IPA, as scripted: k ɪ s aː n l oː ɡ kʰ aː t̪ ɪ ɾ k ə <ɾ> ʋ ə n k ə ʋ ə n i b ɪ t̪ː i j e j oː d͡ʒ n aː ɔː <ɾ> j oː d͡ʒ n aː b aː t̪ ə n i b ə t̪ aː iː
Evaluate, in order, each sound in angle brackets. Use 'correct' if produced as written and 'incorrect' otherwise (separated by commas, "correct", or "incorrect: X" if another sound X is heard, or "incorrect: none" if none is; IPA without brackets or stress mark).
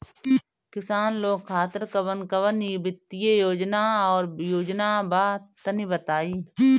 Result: incorrect: none, correct